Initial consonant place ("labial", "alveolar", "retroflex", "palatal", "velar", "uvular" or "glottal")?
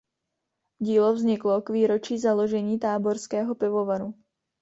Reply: palatal